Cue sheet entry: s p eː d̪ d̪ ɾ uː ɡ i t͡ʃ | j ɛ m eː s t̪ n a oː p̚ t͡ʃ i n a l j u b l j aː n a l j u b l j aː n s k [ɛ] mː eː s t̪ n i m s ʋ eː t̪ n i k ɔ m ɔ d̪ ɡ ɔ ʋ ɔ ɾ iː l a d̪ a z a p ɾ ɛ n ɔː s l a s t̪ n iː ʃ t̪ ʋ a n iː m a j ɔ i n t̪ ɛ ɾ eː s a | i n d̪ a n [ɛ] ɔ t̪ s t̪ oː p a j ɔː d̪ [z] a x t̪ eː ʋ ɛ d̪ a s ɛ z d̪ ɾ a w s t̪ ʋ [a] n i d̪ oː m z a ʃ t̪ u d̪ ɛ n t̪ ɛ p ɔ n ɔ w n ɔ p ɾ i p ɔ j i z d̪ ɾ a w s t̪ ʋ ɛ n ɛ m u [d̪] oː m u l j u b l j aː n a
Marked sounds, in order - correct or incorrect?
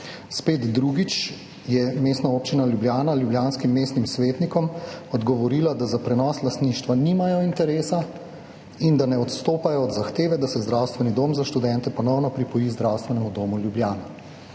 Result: incorrect: i, correct, correct, incorrect: ɛ, correct

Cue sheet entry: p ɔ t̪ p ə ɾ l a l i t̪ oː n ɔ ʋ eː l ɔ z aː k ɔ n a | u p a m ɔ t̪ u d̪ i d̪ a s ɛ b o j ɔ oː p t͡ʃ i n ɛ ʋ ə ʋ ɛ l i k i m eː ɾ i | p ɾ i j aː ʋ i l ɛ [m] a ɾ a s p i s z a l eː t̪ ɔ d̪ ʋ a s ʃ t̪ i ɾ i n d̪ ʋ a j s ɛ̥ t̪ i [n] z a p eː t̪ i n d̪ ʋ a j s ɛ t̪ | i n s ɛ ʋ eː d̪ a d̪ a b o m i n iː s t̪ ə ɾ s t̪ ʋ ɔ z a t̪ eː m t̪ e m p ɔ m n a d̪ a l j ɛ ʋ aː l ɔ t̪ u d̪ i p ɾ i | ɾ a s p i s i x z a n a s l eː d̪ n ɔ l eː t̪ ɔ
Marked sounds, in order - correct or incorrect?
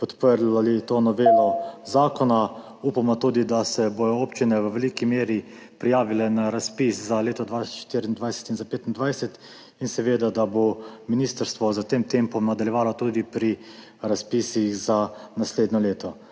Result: incorrect: n, correct

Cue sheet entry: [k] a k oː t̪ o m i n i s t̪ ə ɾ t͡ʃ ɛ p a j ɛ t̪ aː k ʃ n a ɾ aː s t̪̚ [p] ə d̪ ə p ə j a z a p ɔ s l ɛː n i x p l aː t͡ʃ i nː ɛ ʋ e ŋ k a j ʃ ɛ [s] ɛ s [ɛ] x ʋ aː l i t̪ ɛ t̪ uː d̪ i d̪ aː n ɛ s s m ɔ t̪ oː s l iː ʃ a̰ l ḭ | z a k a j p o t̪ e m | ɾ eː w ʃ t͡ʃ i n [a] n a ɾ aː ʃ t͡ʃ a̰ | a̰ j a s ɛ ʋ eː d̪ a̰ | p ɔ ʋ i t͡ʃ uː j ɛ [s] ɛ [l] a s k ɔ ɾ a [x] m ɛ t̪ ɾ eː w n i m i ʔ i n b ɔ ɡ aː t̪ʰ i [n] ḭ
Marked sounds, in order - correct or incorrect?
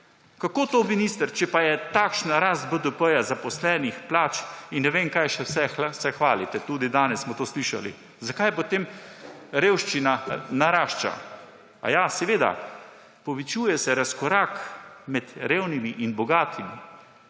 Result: correct, incorrect: b, correct, correct, correct, correct, incorrect: ɾ, incorrect: k, incorrect: m

